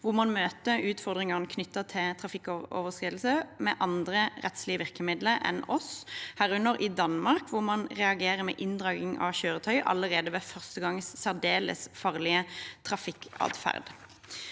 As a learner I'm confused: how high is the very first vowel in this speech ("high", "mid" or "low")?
high